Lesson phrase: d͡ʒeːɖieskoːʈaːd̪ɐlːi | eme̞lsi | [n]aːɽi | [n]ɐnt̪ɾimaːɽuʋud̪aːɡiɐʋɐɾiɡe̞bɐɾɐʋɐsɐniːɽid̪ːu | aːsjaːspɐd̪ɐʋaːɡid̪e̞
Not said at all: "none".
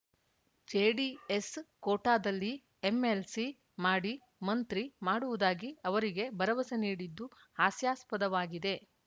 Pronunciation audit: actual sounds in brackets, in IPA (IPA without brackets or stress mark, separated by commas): m, m